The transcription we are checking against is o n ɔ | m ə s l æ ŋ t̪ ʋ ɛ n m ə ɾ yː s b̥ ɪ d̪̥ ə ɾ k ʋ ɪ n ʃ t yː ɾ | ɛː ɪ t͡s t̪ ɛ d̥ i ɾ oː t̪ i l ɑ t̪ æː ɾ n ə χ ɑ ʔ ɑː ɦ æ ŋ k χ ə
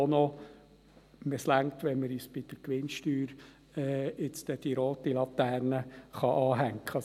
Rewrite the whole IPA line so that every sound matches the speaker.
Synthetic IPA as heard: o n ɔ | m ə s l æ ŋ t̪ ʋ ɛ n m ə ɾ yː s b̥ ɪ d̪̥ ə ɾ k ʋ ɪ n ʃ t yː ɾ | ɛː ɪ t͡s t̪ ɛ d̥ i ɾ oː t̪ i l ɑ t̪ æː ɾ n ə χ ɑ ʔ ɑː ɦ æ ŋ k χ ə